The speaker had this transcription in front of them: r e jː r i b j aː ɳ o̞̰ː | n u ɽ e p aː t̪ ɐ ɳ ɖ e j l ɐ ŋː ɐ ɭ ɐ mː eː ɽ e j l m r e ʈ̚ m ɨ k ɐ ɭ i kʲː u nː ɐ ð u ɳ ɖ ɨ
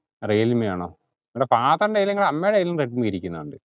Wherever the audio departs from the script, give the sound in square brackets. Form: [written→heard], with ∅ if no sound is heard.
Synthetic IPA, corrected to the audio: r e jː [r→l] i [b→m] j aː ɳ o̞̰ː | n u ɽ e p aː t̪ ɐ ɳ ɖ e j l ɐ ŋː ɐ ɭ ɐ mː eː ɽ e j l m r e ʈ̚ m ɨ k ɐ [ɭ→ɾ] i kʲː u nː ɐ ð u ɳ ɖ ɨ